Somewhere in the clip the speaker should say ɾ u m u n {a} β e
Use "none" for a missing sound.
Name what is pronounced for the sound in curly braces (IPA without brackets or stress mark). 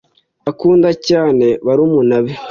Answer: a